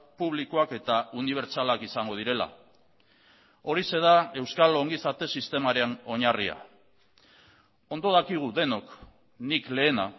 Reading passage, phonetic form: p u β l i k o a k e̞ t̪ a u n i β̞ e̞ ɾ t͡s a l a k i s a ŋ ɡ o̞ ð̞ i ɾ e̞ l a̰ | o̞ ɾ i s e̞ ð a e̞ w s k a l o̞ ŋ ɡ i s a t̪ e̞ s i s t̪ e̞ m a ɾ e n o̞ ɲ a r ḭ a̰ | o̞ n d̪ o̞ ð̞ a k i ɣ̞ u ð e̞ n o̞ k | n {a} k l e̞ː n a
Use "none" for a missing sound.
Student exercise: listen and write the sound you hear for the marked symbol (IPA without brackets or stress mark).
i